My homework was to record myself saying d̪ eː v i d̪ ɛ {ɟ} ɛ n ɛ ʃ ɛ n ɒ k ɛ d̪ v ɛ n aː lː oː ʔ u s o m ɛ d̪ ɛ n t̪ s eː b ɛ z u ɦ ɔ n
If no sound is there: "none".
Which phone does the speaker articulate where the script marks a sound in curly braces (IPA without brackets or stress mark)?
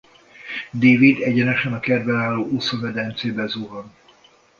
ɟ